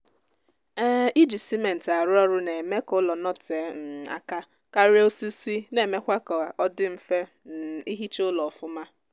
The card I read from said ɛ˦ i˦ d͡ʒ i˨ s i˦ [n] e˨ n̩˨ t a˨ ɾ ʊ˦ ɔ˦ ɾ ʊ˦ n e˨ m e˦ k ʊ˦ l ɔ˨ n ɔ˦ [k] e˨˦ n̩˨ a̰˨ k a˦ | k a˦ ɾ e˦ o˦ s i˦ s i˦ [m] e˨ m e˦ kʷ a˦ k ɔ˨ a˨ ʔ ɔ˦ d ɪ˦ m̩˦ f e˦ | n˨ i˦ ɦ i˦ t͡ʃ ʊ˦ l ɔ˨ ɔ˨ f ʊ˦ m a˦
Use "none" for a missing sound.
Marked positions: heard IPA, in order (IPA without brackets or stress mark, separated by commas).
m, t, n